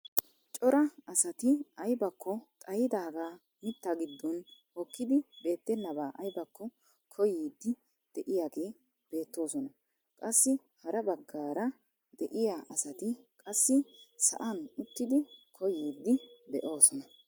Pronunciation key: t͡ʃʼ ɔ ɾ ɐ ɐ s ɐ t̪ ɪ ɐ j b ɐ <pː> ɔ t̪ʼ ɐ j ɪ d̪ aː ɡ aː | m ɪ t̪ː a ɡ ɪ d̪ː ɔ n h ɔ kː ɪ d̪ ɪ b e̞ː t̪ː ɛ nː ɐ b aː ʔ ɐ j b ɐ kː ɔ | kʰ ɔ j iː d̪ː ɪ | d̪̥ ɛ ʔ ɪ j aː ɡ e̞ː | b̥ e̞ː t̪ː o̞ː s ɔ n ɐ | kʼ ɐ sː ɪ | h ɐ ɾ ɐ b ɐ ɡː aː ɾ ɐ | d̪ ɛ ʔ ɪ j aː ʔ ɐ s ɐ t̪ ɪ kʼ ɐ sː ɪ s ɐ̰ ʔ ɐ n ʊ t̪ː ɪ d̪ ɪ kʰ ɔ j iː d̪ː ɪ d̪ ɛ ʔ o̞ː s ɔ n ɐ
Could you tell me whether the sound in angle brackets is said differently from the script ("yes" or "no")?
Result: yes